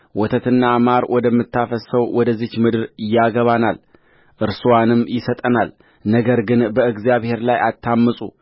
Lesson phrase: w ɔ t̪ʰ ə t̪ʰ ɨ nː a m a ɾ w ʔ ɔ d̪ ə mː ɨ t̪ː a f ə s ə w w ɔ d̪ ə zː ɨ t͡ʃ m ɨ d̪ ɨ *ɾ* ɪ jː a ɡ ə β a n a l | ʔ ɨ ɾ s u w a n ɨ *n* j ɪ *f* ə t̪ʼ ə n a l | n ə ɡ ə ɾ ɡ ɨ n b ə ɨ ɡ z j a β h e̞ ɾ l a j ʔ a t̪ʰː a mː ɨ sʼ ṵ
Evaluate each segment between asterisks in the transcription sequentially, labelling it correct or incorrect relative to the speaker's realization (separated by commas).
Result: correct, incorrect, incorrect